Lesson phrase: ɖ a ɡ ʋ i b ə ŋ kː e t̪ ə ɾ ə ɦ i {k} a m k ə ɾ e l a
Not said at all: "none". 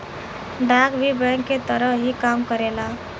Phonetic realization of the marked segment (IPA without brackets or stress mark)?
k